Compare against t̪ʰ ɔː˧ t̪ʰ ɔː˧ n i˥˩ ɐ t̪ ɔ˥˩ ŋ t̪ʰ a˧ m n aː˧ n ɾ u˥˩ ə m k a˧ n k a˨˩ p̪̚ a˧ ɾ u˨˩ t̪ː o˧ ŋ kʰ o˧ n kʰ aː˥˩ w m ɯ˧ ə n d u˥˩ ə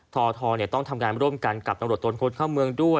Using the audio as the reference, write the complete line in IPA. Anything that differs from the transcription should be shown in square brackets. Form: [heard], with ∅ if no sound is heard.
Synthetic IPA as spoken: t̪ʰ ɔː˧ t̪ʰ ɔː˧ n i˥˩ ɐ t̪ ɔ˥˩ ŋ t̪ʰ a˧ m [ŋ] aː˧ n ɾ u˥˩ ə m k a˧ n k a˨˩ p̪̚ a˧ ɾ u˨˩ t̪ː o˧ [n] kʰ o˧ n kʰ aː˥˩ w m ɯ˧ ə [ŋ] d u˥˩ ə